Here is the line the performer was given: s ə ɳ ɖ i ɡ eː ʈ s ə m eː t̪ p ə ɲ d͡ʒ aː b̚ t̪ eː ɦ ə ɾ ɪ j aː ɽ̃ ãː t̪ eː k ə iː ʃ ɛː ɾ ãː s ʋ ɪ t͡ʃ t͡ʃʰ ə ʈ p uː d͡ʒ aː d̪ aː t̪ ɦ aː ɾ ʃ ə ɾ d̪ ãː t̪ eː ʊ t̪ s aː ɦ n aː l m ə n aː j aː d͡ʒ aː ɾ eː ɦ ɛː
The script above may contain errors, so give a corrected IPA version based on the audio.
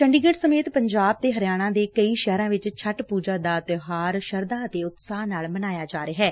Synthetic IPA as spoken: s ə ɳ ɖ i ɡ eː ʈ s ə m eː t̪ p ə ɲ d͡ʒ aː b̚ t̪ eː ɦ ə ɾ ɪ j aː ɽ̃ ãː d̪ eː k ə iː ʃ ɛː ɾ ãː ʋ ɪ t͡ʃ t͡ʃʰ ə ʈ p uː d͡ʒ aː d̪ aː t̪ ɦ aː ɾ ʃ ə ɾ d̪ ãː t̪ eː ʊ t̪ s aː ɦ n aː l m ə n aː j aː d͡ʒ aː ɾ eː ɦ ɛː